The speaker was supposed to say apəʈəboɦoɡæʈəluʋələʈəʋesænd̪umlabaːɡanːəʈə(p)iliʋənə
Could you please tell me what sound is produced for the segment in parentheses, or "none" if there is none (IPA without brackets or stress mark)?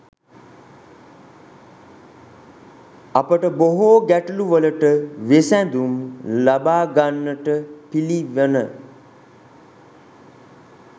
p